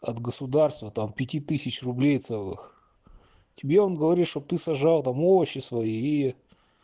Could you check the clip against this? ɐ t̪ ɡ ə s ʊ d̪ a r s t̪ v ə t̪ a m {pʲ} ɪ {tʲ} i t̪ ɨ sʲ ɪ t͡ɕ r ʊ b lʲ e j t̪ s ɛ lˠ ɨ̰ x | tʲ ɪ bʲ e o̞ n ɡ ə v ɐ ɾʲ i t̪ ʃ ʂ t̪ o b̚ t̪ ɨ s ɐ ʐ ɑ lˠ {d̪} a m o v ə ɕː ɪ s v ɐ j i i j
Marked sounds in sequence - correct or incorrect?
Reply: correct, correct, incorrect: t̪

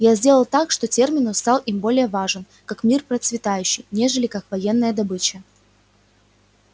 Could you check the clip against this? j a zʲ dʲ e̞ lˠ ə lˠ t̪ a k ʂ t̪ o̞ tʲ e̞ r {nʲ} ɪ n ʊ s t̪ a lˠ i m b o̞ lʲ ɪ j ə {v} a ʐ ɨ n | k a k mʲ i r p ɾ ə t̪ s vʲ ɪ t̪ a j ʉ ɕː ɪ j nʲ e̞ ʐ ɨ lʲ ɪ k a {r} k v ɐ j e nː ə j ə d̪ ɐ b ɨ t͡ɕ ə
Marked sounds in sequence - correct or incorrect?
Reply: incorrect: mʲ, correct, incorrect: none

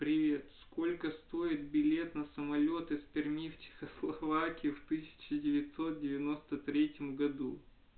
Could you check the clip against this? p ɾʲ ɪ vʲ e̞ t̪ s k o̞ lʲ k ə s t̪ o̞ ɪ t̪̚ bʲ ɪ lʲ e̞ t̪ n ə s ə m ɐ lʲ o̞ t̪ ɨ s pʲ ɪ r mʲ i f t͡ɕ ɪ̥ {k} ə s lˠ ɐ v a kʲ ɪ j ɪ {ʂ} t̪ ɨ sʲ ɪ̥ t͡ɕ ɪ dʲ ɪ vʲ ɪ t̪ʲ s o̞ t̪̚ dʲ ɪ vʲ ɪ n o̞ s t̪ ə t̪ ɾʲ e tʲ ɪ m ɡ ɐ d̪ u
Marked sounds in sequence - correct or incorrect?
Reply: incorrect: x, incorrect: f

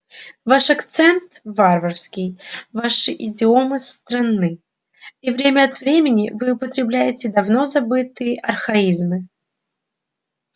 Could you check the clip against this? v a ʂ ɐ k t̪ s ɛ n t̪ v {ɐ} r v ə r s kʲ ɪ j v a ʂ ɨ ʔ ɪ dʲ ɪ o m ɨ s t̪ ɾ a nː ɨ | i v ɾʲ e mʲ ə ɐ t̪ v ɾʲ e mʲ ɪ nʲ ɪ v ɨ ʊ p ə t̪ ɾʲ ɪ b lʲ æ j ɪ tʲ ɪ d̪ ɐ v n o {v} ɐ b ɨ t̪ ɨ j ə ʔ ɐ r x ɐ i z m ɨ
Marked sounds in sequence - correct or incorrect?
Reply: incorrect: a, incorrect: z

